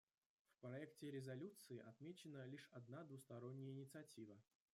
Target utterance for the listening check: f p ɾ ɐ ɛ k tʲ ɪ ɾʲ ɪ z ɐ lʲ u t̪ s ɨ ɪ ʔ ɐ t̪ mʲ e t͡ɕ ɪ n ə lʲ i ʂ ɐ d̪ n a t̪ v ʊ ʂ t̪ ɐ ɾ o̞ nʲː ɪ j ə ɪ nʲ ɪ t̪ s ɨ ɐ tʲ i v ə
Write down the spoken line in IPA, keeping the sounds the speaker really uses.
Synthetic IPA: f p ɾ ɐ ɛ k tʲ ɪ ɾʲ ɪ z ɐ lʲ u t̪ s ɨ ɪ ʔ ɐ t̪ mʲ e t͡ɕ ɪ n ə lʲ i ʂ ɐ d̪ n a d̪ v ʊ s t̪ ɐ ɾ o̞ nʲː ɪ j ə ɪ nʲ ɪ t̪ s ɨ ɐ tʲ i v ə